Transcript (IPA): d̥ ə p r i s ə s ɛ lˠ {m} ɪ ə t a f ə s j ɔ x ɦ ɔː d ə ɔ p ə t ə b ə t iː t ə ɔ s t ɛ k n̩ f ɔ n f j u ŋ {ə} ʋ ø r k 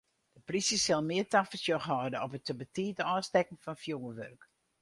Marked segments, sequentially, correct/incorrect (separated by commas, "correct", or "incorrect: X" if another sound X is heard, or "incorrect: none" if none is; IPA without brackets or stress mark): correct, correct